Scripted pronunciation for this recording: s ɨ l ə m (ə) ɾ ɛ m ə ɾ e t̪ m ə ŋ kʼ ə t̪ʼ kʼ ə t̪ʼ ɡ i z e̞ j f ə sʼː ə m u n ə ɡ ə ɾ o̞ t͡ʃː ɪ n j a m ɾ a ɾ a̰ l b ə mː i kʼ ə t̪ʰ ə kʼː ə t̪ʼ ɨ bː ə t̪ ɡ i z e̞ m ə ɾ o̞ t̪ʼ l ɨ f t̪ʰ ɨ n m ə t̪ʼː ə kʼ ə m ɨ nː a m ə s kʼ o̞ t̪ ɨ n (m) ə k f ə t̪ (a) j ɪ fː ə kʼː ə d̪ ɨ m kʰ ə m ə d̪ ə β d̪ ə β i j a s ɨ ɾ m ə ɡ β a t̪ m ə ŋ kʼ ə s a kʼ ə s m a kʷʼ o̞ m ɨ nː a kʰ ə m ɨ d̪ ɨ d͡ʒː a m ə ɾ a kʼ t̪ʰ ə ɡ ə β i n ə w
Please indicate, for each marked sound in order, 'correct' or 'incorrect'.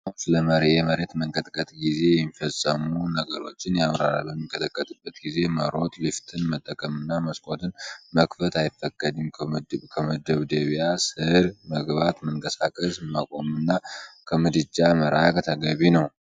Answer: correct, correct, correct

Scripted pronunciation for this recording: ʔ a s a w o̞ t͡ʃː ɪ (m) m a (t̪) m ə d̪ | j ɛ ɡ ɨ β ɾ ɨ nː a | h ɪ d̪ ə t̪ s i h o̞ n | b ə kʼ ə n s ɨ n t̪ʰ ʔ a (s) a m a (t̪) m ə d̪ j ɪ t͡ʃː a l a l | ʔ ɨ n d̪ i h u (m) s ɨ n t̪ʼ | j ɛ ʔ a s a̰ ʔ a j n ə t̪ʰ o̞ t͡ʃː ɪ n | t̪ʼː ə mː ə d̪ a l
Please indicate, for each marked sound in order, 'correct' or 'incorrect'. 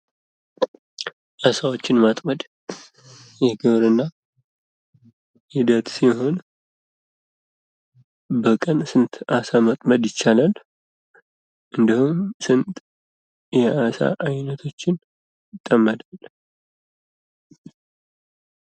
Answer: incorrect, incorrect, correct, incorrect, correct

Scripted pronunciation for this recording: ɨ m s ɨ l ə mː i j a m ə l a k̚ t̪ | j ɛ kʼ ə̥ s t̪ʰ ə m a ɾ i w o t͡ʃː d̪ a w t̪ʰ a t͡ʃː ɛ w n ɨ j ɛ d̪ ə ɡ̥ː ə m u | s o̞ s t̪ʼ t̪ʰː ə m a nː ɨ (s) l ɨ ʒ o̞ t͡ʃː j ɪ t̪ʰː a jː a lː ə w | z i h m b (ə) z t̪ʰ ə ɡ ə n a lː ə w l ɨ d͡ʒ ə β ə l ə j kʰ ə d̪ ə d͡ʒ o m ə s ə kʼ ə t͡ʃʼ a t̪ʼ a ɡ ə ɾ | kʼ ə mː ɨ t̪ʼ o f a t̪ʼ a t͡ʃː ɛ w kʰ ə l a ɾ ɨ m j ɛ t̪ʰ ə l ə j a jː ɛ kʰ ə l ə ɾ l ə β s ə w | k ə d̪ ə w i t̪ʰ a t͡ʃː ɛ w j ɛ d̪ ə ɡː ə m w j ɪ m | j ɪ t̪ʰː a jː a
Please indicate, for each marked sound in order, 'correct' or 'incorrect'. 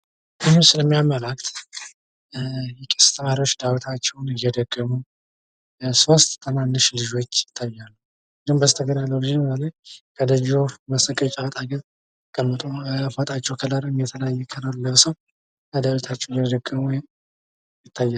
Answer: incorrect, correct

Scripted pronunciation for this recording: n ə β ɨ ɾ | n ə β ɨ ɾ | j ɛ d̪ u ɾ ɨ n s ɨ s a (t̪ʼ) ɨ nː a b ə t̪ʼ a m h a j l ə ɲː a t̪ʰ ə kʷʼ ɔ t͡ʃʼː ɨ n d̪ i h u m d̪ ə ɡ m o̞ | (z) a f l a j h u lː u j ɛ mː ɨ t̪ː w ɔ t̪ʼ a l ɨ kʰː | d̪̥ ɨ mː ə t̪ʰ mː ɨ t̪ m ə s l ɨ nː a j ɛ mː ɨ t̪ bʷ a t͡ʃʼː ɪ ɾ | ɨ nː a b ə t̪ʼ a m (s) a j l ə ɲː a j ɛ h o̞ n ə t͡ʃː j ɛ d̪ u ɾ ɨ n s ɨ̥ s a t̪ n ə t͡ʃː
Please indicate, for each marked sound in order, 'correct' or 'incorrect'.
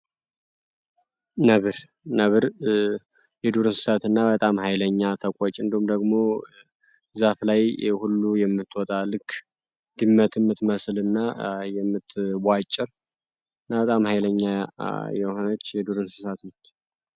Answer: incorrect, correct, incorrect

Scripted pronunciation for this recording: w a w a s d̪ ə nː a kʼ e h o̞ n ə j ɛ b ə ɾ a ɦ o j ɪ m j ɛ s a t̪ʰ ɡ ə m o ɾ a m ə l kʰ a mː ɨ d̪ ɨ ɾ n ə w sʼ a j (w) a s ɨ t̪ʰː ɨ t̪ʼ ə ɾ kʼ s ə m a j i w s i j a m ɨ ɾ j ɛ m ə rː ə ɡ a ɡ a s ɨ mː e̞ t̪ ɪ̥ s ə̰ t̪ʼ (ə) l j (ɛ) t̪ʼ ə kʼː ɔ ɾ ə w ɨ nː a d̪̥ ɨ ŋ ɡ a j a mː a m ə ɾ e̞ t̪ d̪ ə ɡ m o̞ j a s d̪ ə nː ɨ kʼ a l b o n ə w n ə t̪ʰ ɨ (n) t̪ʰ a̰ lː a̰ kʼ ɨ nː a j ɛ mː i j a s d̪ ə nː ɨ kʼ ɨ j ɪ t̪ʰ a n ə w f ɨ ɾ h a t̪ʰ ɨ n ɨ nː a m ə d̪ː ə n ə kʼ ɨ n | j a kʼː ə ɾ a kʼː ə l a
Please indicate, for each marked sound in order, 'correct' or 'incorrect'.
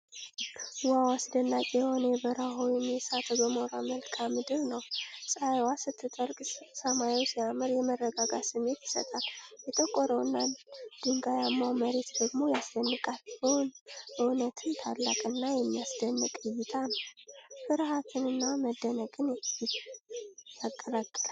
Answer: correct, incorrect, correct, correct

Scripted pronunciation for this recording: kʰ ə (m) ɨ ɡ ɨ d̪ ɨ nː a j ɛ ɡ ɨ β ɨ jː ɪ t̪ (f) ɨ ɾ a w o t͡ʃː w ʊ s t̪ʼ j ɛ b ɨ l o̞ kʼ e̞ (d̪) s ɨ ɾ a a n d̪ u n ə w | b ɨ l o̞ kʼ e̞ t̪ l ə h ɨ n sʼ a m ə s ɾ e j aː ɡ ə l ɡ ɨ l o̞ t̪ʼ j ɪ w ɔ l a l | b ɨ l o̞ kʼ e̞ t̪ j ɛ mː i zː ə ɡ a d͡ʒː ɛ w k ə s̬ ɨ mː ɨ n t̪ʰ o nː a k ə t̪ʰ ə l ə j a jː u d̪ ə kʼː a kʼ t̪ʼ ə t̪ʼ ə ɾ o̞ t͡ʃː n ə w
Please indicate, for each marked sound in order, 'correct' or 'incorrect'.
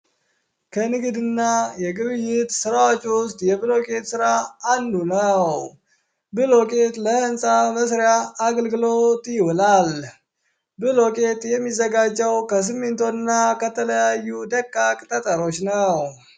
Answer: incorrect, incorrect, incorrect

